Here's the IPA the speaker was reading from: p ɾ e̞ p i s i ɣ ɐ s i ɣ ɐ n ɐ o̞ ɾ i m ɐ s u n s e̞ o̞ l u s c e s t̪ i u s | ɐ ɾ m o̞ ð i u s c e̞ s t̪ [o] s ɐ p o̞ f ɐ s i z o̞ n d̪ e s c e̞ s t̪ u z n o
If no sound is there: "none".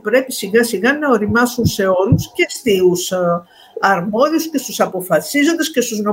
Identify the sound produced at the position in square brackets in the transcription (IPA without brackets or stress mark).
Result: u